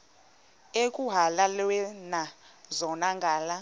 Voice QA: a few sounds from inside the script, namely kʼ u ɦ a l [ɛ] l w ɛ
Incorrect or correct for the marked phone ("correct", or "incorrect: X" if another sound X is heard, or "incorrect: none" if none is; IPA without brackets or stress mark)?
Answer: incorrect: a